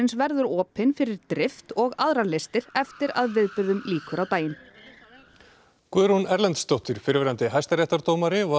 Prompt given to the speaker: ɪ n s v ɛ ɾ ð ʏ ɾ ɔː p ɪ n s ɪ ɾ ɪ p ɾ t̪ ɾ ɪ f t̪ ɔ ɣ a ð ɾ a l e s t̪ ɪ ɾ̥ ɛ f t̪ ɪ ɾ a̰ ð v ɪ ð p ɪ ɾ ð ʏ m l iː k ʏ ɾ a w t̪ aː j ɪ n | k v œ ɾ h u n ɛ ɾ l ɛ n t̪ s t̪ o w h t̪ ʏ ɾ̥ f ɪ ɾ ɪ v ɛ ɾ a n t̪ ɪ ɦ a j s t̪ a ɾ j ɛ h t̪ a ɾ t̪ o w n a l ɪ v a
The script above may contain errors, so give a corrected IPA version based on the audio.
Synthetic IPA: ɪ n s v ɛ ɾ ð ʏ ɾ ɔː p ɪ n f ɪ ɾ ɪ ɾ t̪ ɾ ɪ f t̪ ɔ ɣ a ð ɾ a l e s t̪ ɪ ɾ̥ ɛ f t̪ ɪ ɾ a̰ ð v ɪ ð p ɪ ɾ ð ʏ m l iː k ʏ ɾ a w t̪ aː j ɪ n | k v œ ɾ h u n ɛ ɾ l ɛ n t̪ s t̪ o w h t̪ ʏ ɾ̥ f ɪ ɾ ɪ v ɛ ɾ a n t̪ ɪ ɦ a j s t̪ a ɾ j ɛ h t̪ a ɾ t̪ o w m a ɾ ɪ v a